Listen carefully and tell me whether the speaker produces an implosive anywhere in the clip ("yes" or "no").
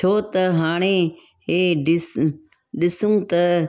yes